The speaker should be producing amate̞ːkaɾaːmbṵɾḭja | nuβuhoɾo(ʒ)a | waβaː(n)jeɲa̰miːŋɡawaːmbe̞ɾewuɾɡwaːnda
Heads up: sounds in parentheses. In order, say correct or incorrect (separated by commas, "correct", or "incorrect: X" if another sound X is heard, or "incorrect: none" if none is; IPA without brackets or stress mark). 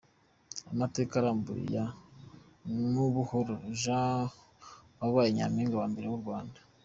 correct, incorrect: none